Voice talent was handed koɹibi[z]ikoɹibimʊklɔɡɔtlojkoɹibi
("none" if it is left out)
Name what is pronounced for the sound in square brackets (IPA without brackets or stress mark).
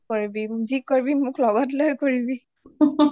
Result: z